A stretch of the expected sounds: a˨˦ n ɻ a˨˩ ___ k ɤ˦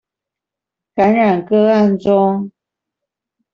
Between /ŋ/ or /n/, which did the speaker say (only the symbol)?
n